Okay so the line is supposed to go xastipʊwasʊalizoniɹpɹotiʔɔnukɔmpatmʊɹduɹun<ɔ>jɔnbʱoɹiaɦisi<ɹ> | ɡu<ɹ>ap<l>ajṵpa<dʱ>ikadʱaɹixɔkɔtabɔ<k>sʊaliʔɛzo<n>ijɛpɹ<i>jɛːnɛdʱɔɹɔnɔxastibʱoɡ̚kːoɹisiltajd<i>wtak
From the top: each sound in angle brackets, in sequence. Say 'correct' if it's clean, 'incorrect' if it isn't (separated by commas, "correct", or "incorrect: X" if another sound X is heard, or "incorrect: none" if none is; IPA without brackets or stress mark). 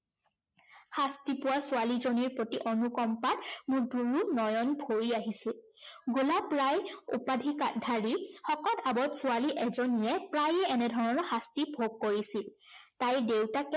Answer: correct, incorrect: l, incorrect: l, incorrect: ɹ, correct, incorrect: t, correct, incorrect: a, incorrect: e